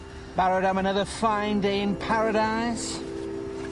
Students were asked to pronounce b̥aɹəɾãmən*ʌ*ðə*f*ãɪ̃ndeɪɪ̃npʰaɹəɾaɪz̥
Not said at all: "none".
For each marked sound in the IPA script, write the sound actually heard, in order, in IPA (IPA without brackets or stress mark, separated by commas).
ʌ, f